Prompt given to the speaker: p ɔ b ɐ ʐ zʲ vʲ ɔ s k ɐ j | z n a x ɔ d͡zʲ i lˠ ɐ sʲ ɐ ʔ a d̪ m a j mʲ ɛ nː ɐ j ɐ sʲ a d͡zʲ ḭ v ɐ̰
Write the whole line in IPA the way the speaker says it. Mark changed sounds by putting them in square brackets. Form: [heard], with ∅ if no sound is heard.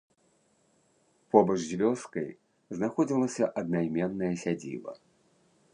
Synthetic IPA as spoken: p ɔ b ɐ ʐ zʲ vʲ ɔ s k ɐ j | z n a x ɔ d͡zʲ i lˠ ɐ sʲ ɐ ʔ [ɐ] d̪ [n] a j mʲ ɛ nː ɐ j ɐ sʲ a d͡zʲ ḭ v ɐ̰

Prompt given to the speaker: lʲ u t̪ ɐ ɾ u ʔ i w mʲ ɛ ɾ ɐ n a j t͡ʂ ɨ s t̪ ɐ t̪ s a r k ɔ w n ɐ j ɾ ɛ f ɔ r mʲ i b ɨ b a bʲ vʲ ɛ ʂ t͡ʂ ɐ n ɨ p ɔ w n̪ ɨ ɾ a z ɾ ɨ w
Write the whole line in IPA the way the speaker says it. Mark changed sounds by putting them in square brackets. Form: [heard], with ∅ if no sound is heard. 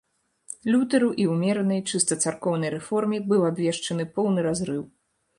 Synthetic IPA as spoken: lʲ u t̪ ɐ ɾ u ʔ i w mʲ ɛ ɾ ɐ n [ɐ] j t͡ʂ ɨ s t̪ ɐ t̪ s a r k ɔ w n ɐ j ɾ ɛ f ɔ r mʲ i b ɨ [w] a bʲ vʲ ɛ ʂ t͡ʂ ɐ n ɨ p ɔ w n̪ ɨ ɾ a z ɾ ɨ w

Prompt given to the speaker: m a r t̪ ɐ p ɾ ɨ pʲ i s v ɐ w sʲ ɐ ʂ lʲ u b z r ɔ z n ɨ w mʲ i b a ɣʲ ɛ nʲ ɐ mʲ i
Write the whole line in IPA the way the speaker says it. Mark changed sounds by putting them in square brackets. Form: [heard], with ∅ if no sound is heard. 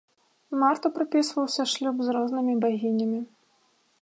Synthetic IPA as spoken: m a r t̪ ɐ p ɾ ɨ pʲ i s v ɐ w sʲ ɐ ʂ lʲ u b z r ɔ z n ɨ [∅] mʲ i b a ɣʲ [i] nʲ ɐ mʲ i

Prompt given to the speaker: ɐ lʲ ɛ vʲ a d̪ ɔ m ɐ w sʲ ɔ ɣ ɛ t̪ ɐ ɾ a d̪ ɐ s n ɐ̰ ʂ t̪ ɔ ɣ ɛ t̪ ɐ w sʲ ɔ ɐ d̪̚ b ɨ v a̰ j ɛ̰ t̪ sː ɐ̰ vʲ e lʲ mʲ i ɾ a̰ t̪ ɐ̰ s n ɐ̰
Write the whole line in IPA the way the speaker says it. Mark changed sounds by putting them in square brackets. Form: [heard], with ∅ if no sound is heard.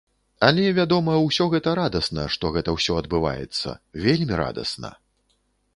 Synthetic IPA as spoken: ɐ lʲ ɛ vʲ a d̪ ɔ m ɐ w sʲ ɔ ɣ ɛ t̪ ɐ ɾ a d̪ ɐ s n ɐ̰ ʂ t̪ ɔ ɣ ɛ t̪ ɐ w sʲ ɔ ɐ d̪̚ b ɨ v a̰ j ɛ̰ t̪ sː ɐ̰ vʲ e lʲ mʲ i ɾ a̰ [d̪] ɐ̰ s n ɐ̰

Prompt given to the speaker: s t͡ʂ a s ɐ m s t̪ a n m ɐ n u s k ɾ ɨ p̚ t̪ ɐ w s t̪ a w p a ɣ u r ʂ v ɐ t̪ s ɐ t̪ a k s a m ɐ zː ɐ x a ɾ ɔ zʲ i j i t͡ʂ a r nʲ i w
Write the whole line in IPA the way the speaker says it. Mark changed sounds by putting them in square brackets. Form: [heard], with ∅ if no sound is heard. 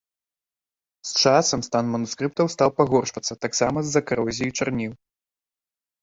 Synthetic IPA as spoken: s t͡ʂ a s ɐ m s t̪ a n m ɐ n u s k ɾ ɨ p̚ t̪ ɐ w s t̪ a w p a ɣ [ɔ] r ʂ v ɐ t̪ [sː] ɐ t̪ a k s a m ɐ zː ɐ [k] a ɾ ɔ zʲ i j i t͡ʂ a r nʲ i w

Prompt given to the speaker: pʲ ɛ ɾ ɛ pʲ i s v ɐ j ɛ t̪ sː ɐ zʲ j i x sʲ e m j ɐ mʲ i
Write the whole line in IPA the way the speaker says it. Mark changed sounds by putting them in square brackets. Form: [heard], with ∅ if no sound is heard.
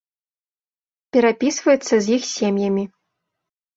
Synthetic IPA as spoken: pʲ ɛ ɾ [a] pʲ i s v ɐ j ɛ t̪ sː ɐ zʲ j i x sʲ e m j ɐ mʲ i

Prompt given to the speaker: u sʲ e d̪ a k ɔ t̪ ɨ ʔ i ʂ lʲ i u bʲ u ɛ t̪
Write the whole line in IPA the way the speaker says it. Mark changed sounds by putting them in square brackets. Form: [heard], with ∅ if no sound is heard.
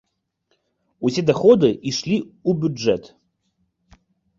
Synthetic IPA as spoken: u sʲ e d̪ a [x] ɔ [d̪] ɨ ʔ i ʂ lʲ i u bʲ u ɛ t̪

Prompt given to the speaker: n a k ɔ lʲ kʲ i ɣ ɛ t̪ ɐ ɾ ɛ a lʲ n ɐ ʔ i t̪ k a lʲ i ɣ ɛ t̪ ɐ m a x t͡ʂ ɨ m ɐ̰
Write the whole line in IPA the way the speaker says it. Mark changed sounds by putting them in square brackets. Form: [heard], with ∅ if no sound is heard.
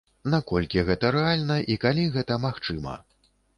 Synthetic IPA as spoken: n a k ɔ lʲ kʲ i ɣ ɛ t̪ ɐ ɾ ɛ a lʲ n ɐ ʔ i [∅] k a lʲ i ɣ ɛ t̪ ɐ m a x t͡ʂ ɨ m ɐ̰

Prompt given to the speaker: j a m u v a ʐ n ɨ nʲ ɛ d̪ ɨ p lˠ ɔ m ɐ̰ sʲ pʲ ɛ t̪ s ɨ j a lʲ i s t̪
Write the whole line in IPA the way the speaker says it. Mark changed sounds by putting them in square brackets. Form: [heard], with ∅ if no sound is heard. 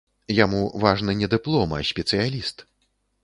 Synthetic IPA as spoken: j a m u v a ʐ n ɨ nʲ ɛ d̪ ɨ p lˠ ɔ m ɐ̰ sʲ pʲ ɛ t̪ s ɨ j a lʲ i s t̪

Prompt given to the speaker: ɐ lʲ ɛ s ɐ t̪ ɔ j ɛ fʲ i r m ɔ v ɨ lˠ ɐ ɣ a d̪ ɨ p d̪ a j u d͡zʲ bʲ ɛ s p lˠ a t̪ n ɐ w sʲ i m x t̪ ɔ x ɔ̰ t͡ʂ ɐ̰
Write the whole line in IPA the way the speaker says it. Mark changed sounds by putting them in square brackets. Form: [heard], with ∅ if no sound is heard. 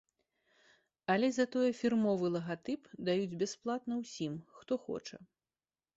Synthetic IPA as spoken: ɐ lʲ ɛ [z] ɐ t̪ ɔ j ɛ fʲ i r m ɔ v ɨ lˠ ɐ ɣ a [t̪] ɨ p d̪ a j u d͡zʲ bʲ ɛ s p lˠ a t̪ n ɐ w sʲ i m x t̪ ɔ x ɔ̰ t͡ʂ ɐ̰

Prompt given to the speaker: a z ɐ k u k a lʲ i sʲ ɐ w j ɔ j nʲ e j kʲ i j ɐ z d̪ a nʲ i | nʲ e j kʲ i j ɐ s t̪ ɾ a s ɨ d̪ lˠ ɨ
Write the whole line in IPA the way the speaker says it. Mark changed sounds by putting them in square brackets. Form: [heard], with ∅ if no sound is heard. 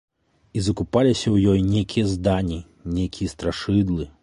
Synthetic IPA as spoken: [i] z ɐ k u [p] a lʲ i sʲ ɐ w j ɔ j nʲ e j kʲ i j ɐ z d̪ a nʲ i | nʲ e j kʲ i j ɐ s t̪ ɾ a [ʂ] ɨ d̪ lˠ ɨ

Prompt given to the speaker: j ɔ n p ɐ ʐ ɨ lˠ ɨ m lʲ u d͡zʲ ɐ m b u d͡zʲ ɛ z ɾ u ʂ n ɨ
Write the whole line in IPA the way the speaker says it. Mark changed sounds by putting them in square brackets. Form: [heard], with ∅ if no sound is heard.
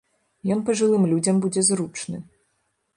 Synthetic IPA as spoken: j ɔ n p ɐ ʐ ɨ lˠ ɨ m lʲ u d͡zʲ ɐ m b u d͡zʲ ɛ z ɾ u [t͡ʂ] n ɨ

